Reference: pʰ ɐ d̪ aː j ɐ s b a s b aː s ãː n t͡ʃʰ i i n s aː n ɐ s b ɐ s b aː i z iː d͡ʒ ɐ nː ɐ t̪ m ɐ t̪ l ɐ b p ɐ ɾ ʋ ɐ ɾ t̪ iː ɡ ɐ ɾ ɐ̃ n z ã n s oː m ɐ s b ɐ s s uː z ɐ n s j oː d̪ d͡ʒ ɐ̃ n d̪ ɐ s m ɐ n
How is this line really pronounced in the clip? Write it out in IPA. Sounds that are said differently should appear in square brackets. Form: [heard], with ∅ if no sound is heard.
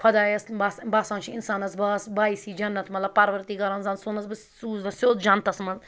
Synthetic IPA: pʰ ɐ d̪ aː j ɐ s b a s b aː s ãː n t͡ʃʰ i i n s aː n ɐ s b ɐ s b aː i [s] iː d͡ʒ ɐ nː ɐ t̪ m ɐ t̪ l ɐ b p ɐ ɾ ʋ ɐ ɾ t̪ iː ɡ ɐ ɾ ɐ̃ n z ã n s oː [n] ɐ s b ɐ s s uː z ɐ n s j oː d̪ d͡ʒ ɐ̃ n [t̪] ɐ s m ɐ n